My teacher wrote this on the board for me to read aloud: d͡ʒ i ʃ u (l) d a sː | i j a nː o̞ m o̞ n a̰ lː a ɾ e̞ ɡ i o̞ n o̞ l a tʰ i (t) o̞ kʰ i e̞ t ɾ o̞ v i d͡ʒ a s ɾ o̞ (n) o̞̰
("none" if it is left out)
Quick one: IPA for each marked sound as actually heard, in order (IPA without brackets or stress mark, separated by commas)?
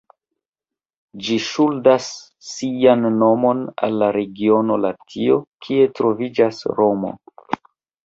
l, none, m